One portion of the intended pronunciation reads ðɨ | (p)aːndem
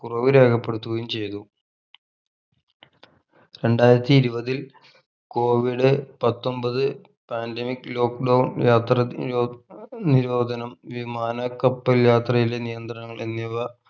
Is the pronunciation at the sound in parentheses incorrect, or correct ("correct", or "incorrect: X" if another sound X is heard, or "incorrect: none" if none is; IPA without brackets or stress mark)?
correct